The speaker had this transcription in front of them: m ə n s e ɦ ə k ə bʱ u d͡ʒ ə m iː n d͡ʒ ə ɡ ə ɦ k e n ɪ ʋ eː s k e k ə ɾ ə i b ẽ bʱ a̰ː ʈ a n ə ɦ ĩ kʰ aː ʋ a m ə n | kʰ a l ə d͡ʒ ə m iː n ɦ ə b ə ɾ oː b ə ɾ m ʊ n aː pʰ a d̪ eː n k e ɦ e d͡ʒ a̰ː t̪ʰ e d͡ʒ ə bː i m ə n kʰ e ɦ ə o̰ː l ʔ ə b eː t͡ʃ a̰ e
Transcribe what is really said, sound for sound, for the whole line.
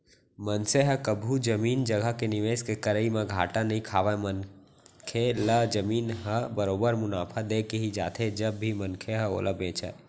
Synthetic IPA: m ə n s e ɦ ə k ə bʱ u d͡ʒ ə m iː n d͡ʒ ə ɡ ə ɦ k e n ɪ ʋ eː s k e k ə ɾ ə i m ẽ ɡʱ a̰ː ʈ a n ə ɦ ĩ kʰ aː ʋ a m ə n | kʰ e l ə d͡ʒ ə m iː n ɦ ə b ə ɾ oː b ə ɾ m ʊ n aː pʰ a d̪ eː k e ɦ i d͡ʒ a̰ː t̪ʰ e d͡ʒ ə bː i m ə n kʰ e ɦ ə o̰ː l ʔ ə b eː t͡ʃ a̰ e